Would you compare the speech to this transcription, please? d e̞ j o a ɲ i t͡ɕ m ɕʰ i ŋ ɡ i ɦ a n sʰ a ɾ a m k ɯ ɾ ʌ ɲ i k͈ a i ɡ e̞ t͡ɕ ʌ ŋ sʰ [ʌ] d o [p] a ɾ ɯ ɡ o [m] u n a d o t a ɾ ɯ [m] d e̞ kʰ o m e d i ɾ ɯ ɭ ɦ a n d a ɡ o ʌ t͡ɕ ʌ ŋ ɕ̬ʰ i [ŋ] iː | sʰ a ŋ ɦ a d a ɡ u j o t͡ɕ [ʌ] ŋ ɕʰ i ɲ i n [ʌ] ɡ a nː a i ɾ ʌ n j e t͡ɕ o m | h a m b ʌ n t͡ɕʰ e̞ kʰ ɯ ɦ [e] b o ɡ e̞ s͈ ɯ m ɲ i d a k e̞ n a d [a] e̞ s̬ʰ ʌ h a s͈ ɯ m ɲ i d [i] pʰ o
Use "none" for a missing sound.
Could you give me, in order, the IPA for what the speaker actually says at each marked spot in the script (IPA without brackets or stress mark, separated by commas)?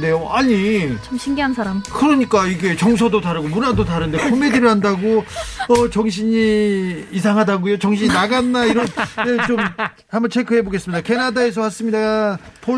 ʌ, t, m, n, ɲ, ʌ, a, e, a, a